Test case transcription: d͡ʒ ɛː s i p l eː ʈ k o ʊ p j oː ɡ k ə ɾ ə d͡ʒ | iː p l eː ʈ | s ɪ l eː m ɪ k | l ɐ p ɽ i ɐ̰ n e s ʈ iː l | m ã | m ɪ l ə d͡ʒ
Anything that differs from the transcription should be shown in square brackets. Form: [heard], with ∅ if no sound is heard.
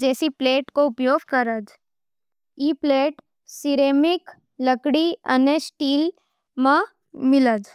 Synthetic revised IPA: d͡ʒ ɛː s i p l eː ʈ k o ʊ p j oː ɡ k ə ɾ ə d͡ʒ | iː p l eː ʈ | s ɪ [ɾ] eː m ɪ k | l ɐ [k] ɽ i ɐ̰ n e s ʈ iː l | m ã | m ɪ l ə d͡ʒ